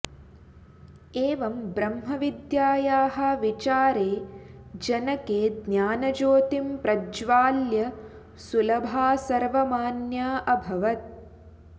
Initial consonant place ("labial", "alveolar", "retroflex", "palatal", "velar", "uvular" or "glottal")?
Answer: labial